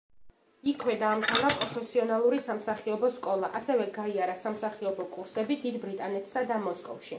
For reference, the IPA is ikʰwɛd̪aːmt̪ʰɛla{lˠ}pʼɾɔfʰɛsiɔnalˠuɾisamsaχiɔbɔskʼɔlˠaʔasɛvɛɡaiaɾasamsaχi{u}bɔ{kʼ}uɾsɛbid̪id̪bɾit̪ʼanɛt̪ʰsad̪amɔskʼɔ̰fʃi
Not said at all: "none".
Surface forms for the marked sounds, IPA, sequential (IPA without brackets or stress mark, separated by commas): none, ɔ, kʼ